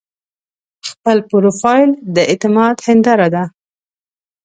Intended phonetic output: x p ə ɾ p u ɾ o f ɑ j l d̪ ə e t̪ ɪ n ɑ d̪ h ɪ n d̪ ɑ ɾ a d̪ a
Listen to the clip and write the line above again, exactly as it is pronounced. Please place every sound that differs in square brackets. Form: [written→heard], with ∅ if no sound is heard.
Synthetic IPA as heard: x p ə [ɾ→l] p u ɾ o f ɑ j l d̪ ə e t̪ ɪ [n→m] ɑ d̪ h ɪ n d̪ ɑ ɾ a d̪ a